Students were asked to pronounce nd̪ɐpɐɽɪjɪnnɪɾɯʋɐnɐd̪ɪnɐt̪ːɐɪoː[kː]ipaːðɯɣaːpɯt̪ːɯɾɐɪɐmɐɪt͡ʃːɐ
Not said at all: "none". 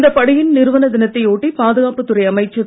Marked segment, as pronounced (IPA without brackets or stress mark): ʈː